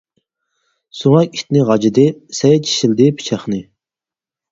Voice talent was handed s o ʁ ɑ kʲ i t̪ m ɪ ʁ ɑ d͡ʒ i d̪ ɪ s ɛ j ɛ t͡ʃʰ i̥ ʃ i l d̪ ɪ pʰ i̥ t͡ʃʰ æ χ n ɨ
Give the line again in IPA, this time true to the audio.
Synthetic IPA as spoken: s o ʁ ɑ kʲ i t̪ n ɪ ʁ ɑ d͡ʒ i d̪ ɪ s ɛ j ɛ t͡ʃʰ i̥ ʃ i l d̪ ɪ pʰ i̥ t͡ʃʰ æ χ n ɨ